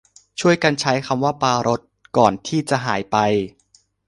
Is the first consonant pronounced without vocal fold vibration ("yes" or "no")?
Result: yes